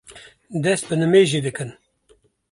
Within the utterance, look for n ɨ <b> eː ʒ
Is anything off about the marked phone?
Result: yes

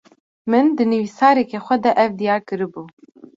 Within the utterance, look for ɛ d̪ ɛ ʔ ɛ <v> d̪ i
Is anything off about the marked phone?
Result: no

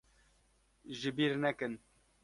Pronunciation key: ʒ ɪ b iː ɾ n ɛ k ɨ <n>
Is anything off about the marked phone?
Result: no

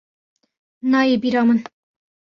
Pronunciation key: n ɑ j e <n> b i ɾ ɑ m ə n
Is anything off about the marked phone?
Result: yes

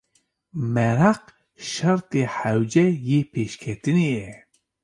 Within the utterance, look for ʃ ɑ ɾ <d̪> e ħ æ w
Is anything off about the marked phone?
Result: yes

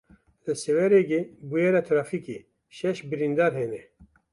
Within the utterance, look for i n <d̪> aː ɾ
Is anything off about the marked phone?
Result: no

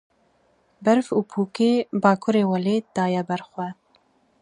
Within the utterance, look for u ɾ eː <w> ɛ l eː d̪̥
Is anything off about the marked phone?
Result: no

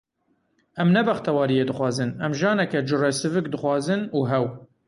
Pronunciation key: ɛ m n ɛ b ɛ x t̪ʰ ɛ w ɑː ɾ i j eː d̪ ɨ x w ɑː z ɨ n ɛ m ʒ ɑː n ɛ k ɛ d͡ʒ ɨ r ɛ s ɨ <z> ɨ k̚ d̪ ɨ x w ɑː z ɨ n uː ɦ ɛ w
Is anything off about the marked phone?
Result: yes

